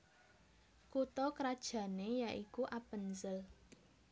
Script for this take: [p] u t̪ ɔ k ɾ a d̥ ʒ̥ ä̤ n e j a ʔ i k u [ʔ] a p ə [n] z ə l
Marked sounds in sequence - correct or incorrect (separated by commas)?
incorrect, correct, correct